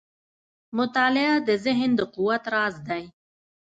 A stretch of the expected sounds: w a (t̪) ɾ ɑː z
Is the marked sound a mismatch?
no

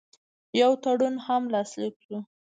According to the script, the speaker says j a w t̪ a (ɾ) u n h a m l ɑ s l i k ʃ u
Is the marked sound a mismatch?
yes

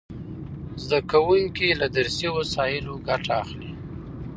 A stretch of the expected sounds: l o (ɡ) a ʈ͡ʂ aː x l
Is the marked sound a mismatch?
no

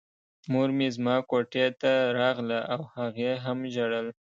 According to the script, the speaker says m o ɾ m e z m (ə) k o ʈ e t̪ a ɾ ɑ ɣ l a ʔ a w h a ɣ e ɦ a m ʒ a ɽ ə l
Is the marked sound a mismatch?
yes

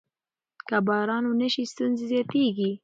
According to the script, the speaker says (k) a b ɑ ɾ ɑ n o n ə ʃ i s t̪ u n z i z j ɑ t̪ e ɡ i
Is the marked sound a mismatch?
no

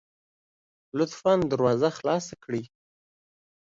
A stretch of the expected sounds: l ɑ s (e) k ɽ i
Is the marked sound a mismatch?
yes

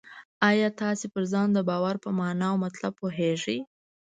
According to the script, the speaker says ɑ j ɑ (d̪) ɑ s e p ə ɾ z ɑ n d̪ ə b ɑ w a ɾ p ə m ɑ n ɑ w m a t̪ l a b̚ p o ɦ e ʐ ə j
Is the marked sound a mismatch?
yes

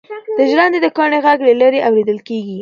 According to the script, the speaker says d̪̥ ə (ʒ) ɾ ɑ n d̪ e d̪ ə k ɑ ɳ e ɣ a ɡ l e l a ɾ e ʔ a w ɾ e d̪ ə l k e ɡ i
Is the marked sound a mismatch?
no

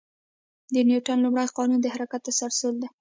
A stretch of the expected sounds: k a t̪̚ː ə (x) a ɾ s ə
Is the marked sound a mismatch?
yes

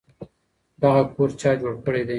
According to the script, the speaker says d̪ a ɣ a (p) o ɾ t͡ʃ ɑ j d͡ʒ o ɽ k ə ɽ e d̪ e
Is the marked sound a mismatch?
yes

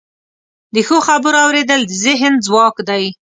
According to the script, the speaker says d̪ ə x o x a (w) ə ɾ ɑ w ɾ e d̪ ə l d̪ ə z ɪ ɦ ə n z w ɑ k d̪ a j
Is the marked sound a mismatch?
yes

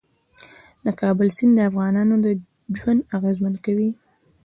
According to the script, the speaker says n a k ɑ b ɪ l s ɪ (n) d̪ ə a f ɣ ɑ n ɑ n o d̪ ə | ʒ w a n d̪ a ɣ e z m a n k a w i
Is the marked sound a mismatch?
no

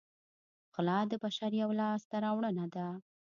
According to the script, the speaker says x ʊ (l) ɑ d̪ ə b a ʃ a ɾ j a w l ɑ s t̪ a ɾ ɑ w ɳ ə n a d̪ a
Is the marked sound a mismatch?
no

